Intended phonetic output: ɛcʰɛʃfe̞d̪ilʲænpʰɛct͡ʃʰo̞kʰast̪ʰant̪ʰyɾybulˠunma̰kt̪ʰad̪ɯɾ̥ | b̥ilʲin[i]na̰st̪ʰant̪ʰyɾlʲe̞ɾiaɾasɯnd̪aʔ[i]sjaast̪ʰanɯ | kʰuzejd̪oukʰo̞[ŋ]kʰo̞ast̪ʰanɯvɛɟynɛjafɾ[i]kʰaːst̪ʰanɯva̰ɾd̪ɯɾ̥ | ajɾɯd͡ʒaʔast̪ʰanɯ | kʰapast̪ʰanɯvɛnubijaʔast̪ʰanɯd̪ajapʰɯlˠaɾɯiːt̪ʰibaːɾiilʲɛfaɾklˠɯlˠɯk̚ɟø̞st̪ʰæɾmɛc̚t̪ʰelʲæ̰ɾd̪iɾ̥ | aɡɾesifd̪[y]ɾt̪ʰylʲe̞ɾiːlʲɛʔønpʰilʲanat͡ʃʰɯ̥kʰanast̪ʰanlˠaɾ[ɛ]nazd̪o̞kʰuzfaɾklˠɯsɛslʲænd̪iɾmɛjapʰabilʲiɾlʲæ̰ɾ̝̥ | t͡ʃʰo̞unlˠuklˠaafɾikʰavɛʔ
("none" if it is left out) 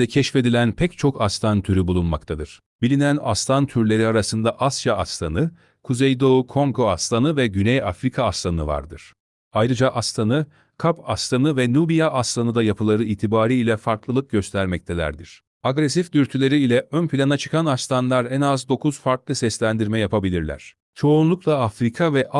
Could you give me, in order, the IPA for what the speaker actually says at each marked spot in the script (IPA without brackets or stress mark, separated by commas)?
æ, a, ŋ, i, y, ɛ